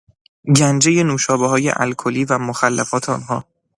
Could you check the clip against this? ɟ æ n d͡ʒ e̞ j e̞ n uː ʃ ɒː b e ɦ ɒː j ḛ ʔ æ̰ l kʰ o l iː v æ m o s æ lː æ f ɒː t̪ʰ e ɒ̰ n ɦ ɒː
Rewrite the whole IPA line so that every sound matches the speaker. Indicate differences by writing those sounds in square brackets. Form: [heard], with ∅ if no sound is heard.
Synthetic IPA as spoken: ɟ æ n d͡ʒ e̞ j e̞ n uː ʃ ɒː b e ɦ ɒː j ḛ ʔ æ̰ l kʰ o l iː v æ m o [x] æ lː æ f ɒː t̪ʰ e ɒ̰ n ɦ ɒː